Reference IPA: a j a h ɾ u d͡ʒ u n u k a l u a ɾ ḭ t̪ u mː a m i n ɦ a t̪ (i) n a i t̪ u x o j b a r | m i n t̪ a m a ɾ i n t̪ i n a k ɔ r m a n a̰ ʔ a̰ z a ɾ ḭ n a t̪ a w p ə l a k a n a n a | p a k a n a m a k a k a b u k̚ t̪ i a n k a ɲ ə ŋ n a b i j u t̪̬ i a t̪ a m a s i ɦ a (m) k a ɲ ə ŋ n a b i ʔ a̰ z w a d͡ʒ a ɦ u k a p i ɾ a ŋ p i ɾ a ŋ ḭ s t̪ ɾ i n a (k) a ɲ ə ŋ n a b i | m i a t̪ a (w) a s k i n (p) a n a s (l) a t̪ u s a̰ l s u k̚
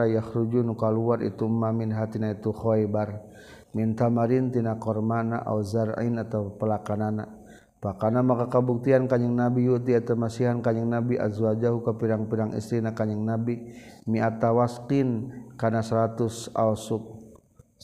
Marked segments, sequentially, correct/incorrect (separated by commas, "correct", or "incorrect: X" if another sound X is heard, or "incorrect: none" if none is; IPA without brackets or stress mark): correct, incorrect: n, correct, correct, incorrect: k, incorrect: ɾ